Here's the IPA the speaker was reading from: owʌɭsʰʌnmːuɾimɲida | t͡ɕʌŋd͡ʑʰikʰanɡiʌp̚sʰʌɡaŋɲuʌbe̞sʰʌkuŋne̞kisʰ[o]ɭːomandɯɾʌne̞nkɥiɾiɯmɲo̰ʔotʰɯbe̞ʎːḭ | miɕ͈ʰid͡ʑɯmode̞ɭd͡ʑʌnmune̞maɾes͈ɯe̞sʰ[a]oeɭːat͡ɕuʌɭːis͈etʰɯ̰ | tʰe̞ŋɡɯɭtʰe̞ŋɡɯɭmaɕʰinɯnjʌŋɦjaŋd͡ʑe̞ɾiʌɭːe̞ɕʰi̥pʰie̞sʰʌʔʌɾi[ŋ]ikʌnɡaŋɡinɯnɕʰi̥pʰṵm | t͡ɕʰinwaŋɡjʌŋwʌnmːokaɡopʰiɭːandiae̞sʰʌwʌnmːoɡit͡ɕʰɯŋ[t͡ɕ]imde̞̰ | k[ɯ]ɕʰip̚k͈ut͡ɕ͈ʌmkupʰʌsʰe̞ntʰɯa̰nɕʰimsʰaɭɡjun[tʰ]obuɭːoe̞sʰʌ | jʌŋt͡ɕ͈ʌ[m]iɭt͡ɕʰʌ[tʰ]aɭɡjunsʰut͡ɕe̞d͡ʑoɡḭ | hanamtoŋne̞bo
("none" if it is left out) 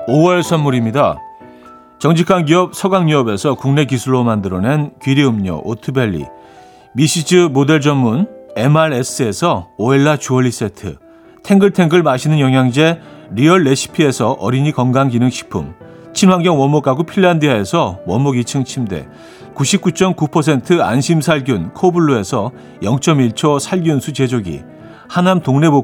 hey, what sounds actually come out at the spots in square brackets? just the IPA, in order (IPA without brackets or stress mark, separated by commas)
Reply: u, ʌ, ɲ, t͡ɕʰ, u, kʰ, m, sʰ